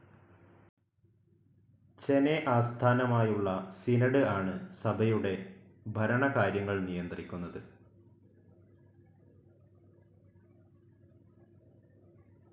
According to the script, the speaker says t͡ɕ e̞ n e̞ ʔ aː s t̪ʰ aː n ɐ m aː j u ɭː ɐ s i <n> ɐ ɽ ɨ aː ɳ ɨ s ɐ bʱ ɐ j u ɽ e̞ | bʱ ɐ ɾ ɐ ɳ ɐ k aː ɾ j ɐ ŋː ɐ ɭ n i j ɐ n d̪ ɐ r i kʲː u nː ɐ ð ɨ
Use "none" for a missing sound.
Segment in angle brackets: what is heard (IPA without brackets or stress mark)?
n